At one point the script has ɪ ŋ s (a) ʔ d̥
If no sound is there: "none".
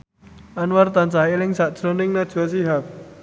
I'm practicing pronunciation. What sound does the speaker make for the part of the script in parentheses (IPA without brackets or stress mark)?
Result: a